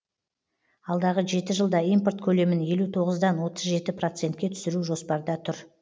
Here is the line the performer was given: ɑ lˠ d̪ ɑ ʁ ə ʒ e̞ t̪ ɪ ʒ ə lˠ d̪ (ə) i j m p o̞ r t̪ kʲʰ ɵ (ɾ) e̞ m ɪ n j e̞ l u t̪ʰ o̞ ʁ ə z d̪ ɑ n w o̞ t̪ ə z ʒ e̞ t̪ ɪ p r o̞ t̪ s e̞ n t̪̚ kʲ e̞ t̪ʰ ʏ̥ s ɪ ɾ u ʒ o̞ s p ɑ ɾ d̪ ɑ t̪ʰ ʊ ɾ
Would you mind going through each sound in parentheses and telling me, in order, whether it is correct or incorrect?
incorrect: ɑ, incorrect: l

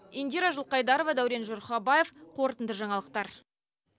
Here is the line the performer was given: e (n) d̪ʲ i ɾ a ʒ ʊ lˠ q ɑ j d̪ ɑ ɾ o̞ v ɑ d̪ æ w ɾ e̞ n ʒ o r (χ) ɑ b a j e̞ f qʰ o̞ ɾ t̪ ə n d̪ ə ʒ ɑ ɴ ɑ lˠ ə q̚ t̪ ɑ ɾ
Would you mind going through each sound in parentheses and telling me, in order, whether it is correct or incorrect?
correct, correct

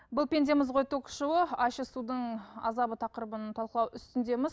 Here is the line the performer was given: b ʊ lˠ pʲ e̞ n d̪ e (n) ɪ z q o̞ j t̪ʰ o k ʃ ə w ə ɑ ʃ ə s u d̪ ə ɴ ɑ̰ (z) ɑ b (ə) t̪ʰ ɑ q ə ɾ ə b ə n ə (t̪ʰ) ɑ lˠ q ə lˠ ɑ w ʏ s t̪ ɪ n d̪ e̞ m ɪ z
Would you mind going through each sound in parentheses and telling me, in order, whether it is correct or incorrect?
incorrect: m, correct, correct, correct

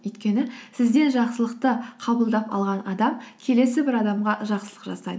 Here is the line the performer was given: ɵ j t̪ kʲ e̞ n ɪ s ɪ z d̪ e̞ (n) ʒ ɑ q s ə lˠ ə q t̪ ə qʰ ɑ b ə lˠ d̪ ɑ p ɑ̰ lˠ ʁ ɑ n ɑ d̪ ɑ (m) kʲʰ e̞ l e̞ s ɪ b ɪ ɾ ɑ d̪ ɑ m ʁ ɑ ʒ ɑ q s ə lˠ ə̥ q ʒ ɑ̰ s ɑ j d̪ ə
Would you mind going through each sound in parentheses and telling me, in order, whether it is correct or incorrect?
correct, correct

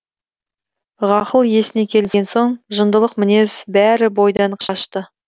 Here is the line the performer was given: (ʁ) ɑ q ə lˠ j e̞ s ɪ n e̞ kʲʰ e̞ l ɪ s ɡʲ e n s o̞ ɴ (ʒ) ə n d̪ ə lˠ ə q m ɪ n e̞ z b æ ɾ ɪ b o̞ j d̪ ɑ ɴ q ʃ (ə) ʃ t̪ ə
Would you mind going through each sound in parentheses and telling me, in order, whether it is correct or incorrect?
correct, correct, incorrect: ɑ

